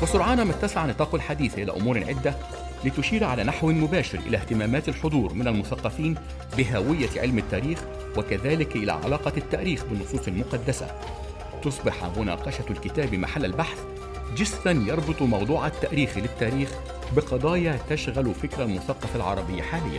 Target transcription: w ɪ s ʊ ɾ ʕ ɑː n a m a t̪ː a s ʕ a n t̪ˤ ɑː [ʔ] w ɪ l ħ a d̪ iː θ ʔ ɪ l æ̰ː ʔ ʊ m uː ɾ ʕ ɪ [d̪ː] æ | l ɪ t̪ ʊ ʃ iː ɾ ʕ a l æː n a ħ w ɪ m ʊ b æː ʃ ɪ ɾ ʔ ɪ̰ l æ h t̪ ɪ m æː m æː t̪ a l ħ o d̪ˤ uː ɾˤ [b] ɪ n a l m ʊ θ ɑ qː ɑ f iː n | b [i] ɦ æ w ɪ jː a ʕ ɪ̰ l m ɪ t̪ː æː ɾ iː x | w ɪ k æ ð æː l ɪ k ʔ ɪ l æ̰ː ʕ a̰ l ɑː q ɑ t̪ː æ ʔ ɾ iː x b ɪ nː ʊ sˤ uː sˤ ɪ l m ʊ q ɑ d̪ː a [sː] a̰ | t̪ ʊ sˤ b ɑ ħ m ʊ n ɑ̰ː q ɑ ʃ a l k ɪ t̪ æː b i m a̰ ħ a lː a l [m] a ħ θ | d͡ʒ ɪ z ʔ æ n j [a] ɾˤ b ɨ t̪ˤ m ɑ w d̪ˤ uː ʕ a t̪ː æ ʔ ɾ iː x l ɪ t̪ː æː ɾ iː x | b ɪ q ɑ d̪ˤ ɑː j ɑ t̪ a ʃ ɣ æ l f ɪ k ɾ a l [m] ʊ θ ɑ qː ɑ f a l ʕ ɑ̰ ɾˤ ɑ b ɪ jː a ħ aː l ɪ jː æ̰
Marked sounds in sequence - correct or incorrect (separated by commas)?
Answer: incorrect, correct, incorrect, incorrect, incorrect, incorrect, incorrect, correct